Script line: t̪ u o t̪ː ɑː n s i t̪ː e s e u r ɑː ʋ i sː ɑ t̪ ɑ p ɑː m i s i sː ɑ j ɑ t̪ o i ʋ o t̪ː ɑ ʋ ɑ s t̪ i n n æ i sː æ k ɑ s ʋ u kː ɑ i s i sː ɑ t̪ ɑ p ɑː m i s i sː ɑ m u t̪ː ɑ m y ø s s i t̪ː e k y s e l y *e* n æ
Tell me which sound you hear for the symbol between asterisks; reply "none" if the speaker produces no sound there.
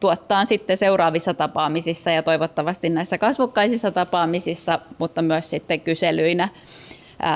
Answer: i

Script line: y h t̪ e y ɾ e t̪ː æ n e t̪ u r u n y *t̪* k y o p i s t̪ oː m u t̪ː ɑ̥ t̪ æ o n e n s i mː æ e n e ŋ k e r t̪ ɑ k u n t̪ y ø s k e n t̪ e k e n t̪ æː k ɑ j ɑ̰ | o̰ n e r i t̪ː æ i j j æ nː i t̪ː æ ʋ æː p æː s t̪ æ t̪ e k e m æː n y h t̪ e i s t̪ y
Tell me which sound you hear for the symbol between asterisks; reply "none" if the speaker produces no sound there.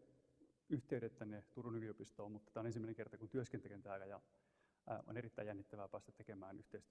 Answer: none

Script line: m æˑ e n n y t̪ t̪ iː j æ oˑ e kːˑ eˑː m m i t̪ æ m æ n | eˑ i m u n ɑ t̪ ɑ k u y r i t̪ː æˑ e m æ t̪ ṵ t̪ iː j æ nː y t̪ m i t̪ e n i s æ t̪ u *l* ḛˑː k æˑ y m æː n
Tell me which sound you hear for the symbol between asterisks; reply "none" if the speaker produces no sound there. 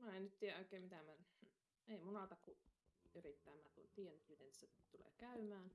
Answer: l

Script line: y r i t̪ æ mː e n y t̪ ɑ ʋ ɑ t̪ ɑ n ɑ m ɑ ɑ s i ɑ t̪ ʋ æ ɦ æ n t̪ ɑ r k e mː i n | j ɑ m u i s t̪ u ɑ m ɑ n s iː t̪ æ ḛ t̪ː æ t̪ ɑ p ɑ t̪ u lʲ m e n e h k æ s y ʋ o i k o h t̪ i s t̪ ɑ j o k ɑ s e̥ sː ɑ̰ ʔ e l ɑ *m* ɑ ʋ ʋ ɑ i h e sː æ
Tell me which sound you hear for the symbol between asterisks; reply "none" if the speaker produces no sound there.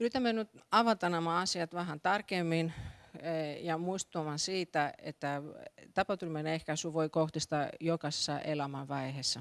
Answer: m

